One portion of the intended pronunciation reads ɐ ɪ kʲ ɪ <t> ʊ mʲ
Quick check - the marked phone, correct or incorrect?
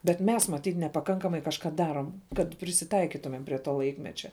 correct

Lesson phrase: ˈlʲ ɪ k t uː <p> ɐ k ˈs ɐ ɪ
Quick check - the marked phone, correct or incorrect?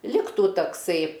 incorrect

